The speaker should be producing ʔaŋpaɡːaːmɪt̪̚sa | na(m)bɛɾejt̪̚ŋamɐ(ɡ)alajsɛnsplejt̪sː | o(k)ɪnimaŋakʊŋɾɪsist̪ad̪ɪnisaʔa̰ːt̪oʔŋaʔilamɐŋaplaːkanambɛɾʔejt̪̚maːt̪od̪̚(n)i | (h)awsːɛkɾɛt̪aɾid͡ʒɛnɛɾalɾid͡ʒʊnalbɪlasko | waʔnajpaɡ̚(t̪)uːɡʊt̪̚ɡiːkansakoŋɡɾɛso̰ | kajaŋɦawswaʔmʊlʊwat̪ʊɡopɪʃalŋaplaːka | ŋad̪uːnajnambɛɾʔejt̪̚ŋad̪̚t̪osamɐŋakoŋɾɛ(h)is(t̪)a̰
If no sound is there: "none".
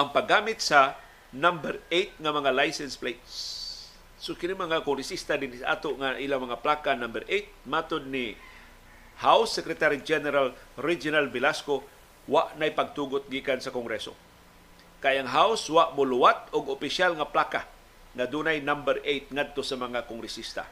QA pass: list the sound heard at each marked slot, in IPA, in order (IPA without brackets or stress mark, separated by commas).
m, ŋ, k, n, h, t̪, s, t̪